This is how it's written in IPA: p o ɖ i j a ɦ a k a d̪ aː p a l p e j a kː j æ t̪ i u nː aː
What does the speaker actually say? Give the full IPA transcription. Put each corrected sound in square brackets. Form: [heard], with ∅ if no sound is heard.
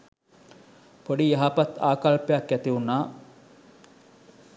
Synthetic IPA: p o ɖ i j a ɦ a [p] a [t̪] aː [k] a l p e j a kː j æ t̪ i u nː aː